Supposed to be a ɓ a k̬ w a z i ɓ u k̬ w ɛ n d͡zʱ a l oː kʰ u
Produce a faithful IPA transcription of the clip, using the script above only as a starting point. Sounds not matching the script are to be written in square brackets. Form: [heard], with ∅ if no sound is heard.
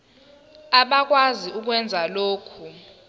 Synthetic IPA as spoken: a ɓ a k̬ w a z i [∅] u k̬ w ɛ n d͡zʱ a l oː kʰ u

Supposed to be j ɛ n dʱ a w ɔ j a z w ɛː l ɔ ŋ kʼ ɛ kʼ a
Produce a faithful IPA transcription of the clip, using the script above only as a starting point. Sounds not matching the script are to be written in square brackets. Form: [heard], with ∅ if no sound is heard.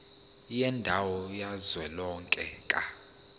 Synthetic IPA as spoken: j ɛ n dʱ a w ɔ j a z w [ɛ] l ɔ ŋ kʼ ɛ kʼ a

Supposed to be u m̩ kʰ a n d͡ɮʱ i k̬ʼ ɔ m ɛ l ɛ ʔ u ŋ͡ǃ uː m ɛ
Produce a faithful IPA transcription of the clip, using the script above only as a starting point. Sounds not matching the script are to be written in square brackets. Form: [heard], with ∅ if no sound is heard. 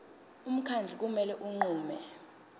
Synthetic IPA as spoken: u m̩ kʰ a n d͡ɮʱ i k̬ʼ [u] m ɛ l ɛ ʔ u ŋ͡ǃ uː m ɛ

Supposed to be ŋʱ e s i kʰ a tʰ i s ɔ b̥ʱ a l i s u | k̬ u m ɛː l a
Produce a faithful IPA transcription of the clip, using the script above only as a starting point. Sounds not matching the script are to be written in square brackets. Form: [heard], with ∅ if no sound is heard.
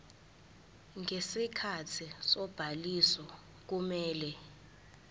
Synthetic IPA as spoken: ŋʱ e s i kʰ a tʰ i s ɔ b̥ʱ a l i s [ɔ] | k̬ u m ɛː l [ɛ]

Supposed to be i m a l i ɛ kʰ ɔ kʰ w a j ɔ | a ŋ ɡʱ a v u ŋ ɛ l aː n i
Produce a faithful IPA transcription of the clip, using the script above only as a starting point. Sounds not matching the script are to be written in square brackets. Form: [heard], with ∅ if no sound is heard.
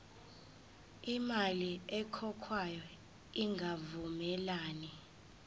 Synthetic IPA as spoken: i m a l i ɛ kʰ ɔ kʰ w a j ɔ | [i] ŋ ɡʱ a v u [m] ɛ l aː n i

